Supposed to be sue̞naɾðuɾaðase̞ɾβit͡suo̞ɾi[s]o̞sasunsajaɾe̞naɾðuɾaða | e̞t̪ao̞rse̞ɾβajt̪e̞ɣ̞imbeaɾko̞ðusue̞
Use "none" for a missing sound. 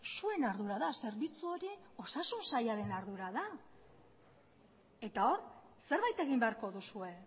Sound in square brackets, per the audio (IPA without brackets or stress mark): none